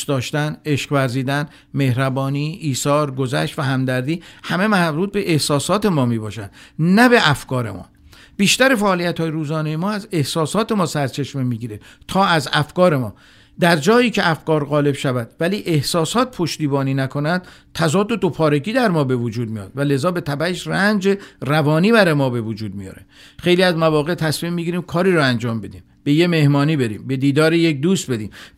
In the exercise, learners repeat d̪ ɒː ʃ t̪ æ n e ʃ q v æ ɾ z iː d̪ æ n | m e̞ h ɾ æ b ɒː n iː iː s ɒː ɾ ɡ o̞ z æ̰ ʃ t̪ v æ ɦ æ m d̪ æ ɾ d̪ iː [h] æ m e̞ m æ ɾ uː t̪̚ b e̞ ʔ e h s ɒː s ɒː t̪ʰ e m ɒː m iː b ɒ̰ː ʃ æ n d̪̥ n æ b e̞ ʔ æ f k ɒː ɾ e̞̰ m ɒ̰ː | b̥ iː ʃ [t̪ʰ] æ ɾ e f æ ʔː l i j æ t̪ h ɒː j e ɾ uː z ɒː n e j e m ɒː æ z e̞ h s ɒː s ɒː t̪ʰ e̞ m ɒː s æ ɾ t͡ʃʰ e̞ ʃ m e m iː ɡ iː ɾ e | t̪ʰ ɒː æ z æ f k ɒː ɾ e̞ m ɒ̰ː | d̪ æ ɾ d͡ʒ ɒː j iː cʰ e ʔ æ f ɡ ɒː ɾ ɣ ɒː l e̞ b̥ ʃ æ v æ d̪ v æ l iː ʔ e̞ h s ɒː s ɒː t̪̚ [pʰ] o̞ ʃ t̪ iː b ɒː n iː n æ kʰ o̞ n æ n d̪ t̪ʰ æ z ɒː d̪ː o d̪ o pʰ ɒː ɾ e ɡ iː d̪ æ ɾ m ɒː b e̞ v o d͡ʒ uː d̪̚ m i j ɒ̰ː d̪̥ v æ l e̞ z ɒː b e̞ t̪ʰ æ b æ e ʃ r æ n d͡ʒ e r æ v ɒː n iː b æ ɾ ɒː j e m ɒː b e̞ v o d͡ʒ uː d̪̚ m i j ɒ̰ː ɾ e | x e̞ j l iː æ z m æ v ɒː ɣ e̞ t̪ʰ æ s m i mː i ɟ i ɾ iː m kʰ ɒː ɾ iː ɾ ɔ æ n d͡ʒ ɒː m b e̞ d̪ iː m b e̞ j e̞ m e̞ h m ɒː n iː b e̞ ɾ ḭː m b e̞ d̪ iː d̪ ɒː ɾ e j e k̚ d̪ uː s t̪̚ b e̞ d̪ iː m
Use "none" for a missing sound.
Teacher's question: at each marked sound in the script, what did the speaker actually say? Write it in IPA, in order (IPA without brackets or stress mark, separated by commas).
h, t̪, pʰ